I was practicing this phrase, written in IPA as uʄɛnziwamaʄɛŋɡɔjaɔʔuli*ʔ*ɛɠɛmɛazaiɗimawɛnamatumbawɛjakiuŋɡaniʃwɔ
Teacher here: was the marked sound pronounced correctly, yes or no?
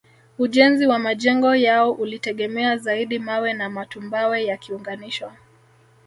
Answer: no